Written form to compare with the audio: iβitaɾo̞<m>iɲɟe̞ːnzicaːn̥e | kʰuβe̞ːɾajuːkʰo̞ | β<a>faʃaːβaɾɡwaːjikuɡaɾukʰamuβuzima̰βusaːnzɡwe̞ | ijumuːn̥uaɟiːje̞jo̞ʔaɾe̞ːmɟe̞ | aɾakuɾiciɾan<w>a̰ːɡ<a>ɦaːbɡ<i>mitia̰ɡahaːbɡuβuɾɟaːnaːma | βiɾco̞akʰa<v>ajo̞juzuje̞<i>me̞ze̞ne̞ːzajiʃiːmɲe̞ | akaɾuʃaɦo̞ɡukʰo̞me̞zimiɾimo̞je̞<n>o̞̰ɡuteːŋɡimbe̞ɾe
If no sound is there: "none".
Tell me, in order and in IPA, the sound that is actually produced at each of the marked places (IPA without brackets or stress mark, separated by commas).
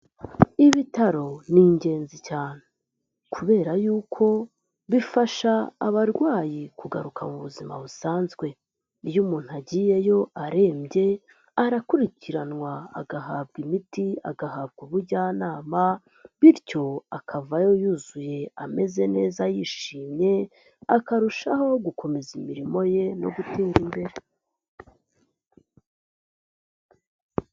n, i, w, a, i, v, a, n